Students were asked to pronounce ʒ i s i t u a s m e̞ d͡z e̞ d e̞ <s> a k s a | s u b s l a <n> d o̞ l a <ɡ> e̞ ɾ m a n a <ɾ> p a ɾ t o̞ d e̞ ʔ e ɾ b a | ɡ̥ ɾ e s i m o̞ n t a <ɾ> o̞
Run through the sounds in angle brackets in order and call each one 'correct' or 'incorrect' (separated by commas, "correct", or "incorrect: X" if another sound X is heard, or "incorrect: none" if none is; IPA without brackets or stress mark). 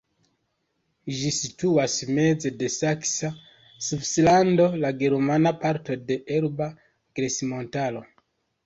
correct, correct, correct, incorrect: none, incorrect: l